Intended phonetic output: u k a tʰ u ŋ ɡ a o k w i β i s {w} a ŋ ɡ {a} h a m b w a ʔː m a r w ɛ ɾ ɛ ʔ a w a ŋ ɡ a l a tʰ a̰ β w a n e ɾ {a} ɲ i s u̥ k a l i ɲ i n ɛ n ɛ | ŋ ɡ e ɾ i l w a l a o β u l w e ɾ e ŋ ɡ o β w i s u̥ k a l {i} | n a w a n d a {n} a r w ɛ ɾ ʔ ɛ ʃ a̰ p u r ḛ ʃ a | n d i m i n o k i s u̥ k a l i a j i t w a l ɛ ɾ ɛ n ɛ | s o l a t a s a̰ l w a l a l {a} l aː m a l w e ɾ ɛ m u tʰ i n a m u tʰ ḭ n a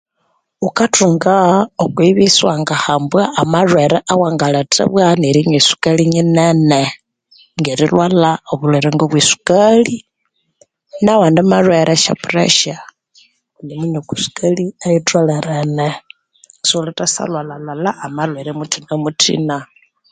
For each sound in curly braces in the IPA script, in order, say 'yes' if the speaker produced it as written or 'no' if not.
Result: yes, yes, no, yes, no, yes

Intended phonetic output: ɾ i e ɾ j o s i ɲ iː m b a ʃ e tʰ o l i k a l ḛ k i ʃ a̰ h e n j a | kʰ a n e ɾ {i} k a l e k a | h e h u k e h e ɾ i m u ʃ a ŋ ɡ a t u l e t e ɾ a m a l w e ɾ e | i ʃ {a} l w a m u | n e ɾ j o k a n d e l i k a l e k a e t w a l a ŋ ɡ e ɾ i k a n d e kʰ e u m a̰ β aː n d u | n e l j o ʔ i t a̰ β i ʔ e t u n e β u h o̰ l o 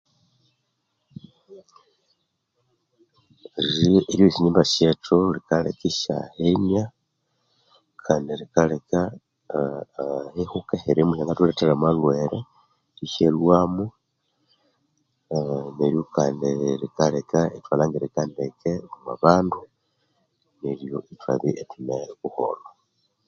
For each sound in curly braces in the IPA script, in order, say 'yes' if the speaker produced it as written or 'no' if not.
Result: yes, no

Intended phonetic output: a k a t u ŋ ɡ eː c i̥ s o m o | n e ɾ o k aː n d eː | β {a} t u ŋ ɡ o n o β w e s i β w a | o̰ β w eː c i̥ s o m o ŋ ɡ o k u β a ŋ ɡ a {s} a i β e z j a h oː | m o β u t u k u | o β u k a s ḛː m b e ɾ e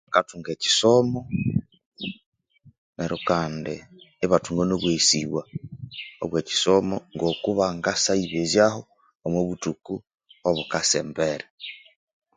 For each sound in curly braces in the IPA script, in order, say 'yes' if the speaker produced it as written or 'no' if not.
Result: yes, yes

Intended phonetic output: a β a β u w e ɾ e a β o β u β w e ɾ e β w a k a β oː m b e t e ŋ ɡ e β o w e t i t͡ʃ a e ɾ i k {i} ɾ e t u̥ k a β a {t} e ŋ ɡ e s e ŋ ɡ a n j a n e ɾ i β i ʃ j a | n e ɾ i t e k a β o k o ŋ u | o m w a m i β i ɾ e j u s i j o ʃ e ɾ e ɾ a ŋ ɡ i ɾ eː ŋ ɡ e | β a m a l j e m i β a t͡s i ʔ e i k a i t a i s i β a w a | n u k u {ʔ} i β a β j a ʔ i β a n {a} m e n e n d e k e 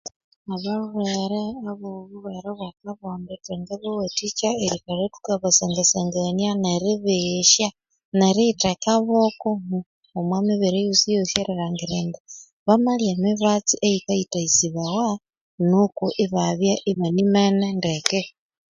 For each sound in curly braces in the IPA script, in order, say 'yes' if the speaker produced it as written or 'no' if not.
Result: no, no, yes, no

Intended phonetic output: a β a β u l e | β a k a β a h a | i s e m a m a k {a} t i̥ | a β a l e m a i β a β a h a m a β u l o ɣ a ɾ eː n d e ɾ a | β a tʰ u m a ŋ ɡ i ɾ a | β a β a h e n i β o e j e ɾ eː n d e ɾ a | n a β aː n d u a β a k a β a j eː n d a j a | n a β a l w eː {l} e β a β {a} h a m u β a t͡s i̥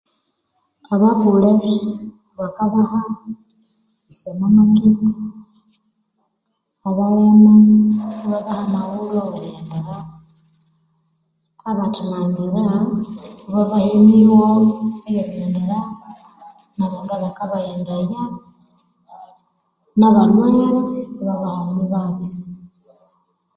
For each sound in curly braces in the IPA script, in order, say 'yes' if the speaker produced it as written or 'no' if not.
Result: no, no, yes

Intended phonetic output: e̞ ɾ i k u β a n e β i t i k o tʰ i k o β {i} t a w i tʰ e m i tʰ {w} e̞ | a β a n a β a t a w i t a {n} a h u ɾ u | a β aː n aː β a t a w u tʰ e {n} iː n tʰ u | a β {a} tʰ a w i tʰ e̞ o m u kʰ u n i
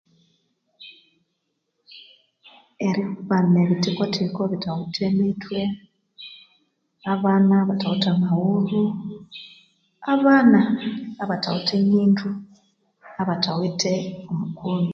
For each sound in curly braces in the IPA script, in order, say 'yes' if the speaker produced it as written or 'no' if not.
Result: yes, yes, no, no, yes

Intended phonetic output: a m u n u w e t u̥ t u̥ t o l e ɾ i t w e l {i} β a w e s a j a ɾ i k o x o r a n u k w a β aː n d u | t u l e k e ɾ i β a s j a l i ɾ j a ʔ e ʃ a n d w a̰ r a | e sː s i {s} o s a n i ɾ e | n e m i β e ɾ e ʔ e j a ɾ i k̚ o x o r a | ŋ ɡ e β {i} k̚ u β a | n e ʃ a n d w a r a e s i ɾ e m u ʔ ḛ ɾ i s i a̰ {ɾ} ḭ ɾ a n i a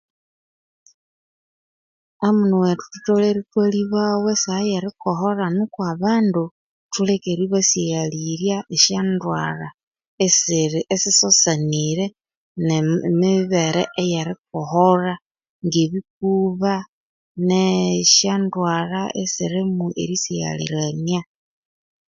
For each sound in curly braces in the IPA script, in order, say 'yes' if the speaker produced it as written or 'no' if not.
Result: yes, yes, yes, no

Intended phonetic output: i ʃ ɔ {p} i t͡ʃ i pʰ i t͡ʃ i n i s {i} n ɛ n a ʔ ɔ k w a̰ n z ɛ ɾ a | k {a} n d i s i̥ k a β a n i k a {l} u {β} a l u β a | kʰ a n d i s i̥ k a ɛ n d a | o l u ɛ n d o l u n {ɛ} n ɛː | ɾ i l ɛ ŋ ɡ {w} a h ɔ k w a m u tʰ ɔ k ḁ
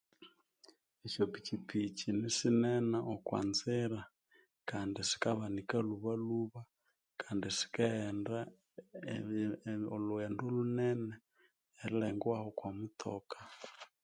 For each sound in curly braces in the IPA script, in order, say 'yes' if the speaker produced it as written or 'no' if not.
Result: yes, yes, yes, yes, yes, yes, yes

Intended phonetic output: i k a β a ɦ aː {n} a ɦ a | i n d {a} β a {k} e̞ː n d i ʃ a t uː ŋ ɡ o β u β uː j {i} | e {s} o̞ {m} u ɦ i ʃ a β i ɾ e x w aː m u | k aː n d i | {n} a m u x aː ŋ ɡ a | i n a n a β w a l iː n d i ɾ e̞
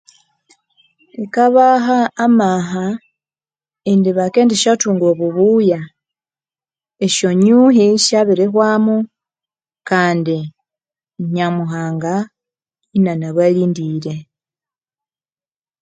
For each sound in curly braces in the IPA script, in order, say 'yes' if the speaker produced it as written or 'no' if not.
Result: no, no, yes, no, no, no, no

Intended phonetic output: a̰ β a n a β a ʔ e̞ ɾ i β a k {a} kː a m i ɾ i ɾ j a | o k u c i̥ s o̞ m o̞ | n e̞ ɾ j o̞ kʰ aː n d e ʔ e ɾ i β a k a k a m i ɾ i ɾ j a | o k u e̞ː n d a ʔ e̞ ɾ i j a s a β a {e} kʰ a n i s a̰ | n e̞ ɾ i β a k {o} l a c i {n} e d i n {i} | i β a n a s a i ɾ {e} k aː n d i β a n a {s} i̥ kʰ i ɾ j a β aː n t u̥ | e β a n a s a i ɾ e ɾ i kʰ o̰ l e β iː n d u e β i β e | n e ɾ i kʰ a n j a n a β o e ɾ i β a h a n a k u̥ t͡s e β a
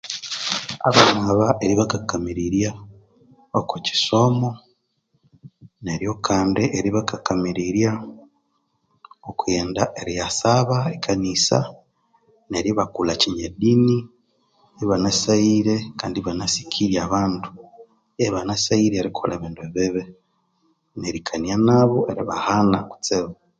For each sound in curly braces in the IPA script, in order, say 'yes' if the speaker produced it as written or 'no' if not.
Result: yes, yes, no, no, yes, yes, yes

